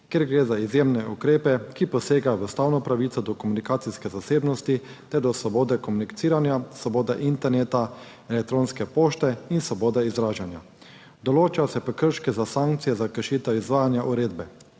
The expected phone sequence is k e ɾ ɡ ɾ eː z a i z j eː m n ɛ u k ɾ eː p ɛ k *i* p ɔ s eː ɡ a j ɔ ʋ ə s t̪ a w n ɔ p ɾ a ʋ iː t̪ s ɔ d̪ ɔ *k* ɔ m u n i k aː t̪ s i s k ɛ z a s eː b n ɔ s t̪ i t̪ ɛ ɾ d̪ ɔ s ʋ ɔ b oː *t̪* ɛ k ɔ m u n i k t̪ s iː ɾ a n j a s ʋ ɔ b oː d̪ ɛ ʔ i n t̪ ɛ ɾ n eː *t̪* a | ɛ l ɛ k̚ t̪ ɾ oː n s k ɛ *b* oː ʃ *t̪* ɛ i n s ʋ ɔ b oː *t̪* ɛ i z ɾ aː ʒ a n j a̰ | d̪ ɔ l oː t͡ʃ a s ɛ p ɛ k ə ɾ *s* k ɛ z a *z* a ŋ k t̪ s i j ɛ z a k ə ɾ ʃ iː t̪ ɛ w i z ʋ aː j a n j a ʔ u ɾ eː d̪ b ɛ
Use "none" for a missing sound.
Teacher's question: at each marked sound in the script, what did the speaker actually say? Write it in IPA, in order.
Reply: i, k, d̪, t̪, p, t̪, d̪, ʃ, s

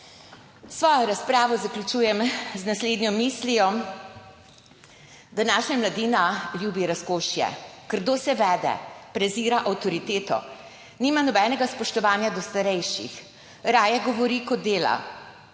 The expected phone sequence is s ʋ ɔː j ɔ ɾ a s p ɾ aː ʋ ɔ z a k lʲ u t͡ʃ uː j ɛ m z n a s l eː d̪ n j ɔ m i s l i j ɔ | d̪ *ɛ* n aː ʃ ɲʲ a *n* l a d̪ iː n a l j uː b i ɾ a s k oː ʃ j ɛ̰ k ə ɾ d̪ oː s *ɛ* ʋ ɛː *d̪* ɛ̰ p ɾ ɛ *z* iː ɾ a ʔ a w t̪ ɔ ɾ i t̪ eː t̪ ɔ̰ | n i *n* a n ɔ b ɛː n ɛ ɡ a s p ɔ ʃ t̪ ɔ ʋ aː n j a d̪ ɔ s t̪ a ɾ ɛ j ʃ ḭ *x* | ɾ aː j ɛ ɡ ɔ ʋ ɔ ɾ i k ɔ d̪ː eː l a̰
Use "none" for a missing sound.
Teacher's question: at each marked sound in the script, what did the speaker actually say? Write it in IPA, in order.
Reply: a, m, ɛ, d̪, z, m, x

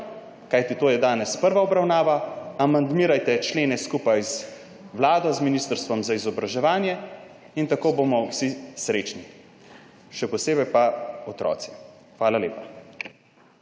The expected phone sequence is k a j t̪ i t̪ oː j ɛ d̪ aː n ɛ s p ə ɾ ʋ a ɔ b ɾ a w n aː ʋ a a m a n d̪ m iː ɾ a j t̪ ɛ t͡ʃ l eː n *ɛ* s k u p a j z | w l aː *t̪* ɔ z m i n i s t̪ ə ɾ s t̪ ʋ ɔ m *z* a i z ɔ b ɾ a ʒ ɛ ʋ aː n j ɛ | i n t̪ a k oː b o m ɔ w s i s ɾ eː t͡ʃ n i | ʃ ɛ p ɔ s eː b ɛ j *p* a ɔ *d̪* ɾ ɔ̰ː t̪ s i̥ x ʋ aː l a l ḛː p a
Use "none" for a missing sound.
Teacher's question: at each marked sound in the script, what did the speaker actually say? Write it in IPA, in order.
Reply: ɛ, d̪, z, p, t̪

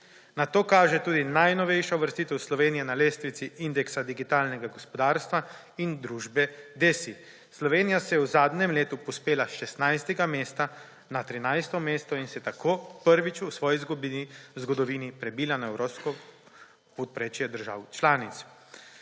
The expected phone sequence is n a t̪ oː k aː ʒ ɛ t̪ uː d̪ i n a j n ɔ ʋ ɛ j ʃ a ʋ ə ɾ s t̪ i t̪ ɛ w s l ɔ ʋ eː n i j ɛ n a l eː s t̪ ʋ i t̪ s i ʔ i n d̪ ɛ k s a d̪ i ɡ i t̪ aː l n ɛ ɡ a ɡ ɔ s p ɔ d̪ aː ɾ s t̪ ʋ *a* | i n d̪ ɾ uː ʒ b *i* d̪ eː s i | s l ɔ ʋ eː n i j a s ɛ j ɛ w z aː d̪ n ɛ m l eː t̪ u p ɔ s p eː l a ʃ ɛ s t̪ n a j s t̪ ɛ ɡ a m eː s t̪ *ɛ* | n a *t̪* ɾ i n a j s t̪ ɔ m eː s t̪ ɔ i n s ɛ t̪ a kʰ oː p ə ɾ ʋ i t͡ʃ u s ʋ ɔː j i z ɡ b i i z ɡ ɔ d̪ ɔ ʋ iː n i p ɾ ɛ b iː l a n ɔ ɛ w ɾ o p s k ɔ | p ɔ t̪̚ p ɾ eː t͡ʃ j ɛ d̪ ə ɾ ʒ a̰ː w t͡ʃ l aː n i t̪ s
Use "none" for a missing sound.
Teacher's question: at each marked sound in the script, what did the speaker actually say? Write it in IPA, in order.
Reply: a, ɛ, a, t̪

